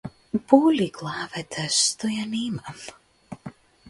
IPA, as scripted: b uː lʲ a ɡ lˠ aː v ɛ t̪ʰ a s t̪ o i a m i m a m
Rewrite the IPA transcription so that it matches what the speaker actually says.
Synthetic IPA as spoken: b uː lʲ i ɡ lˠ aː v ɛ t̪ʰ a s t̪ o j a n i m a m